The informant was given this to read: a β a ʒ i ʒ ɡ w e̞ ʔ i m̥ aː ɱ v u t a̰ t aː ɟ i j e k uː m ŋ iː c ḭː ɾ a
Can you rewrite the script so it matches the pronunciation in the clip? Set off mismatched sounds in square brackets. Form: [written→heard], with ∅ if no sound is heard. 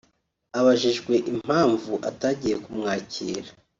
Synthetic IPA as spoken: a β a ʒ i ʒ ɡ w e̞ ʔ i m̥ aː ɱ v u [t→ʔ] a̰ t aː ɟ i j e k [uː→u] m ŋ [iː→aː] c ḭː ɾ a